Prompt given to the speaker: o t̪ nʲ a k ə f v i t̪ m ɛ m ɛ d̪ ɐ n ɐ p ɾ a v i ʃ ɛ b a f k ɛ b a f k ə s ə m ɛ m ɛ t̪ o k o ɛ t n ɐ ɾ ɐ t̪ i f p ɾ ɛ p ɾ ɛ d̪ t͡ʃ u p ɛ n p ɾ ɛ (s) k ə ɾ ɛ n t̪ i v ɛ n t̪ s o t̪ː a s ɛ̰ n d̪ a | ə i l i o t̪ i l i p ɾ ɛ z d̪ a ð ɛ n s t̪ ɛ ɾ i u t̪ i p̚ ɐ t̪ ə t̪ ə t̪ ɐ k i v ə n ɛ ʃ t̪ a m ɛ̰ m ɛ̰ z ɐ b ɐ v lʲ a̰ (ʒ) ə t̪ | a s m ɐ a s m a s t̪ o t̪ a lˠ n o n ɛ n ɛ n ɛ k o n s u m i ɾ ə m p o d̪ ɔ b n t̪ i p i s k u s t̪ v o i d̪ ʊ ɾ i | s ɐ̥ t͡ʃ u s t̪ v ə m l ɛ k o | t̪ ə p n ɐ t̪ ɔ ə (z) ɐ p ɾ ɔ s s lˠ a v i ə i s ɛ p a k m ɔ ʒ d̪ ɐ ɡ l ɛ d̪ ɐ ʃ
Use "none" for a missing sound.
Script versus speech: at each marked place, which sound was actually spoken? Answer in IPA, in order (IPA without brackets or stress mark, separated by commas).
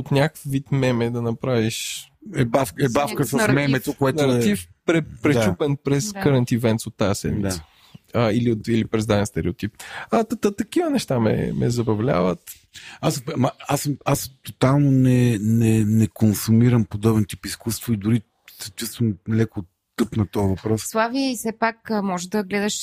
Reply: s, v, v